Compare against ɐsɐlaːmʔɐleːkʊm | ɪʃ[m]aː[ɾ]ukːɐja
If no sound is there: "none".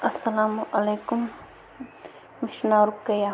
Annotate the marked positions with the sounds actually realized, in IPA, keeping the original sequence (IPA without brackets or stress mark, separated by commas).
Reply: n, ɾ